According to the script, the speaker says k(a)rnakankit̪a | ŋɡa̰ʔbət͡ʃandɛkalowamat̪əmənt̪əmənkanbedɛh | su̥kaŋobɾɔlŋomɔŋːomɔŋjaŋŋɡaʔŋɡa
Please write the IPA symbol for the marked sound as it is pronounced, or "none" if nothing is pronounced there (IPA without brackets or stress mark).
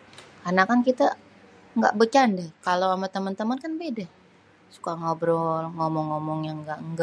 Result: a